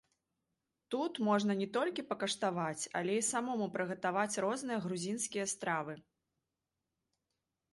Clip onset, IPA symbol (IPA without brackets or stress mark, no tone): t̪